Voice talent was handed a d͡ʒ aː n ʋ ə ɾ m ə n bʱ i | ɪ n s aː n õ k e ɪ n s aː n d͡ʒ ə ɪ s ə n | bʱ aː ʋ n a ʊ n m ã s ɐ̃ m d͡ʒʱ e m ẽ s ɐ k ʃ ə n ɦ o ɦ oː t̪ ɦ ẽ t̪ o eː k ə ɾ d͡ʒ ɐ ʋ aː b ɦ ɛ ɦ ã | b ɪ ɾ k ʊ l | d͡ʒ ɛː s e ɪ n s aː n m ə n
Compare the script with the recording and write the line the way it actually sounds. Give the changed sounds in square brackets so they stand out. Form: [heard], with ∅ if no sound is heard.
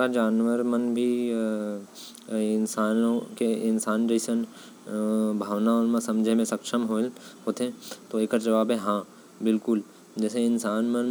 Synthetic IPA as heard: a d͡ʒ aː n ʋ ə ɾ m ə n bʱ i | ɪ n s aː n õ k e ɪ n s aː n d͡ʒ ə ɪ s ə n | bʱ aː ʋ n a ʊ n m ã s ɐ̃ m d͡ʒʱ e m ẽ s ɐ k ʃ ə [m] ɦ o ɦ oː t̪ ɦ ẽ t̪ o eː k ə ɾ d͡ʒ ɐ ʋ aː b ɦ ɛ ɦ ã | b ɪ [l] k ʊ l | d͡ʒ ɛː s e ɪ n s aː n m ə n